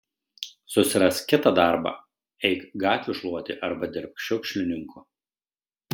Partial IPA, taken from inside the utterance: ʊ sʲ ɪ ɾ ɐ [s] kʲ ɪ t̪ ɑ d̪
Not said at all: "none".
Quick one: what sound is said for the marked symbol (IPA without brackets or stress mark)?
s